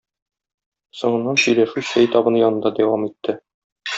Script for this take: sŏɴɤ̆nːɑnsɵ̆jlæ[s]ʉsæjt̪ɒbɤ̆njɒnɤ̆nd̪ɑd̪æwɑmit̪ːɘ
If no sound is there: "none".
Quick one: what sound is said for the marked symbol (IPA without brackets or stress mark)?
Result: ʃ